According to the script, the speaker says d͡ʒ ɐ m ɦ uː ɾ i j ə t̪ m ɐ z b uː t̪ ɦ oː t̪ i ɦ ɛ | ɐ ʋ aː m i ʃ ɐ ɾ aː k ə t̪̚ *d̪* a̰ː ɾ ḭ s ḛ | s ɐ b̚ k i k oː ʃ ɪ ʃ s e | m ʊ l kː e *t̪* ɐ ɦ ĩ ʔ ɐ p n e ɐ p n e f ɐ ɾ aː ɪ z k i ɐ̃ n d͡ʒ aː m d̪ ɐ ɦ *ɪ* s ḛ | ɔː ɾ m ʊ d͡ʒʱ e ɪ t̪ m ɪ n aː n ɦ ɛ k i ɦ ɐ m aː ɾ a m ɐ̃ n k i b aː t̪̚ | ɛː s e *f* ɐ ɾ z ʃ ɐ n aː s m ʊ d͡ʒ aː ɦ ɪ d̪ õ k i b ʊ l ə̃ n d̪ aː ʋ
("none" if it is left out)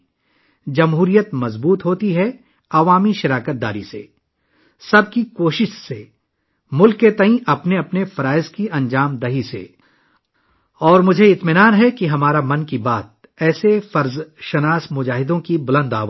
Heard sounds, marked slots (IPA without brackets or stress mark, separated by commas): d̪, t̪, i, f